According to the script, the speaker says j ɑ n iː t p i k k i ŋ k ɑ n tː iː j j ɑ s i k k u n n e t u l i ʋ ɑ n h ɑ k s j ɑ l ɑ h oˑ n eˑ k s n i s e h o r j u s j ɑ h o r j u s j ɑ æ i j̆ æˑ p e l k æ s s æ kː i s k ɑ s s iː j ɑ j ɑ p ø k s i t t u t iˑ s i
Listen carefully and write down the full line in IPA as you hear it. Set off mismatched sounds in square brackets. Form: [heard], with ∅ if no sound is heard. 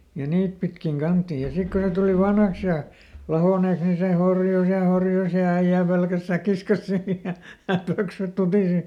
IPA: j ɑ n iː t p i [t] k i ŋ k ɑ n tː iː j j ɑ s i k k u n n e t u l i ʋ ɑ n h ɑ k s j ɑ l ɑ h oˑ n eˑ k s n i s e h o r j u s j ɑ h o r j u s j ɑ æ i j̆ æˑ p e l k æ s s æ kː i s k ɑ s s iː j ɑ j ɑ p ø k s [y] t t u t iˑ s i